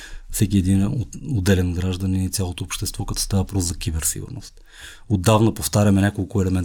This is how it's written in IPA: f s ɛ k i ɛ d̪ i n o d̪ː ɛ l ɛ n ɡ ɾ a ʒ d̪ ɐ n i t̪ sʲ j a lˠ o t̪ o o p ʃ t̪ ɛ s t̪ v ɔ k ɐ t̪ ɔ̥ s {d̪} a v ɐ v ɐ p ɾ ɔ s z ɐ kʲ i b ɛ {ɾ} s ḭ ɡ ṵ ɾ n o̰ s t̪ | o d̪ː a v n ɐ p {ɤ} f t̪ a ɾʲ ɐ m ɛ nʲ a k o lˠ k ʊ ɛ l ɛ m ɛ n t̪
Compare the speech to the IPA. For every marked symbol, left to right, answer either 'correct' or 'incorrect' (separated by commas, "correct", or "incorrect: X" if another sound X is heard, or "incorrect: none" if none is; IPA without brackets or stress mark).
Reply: incorrect: t̪, correct, incorrect: o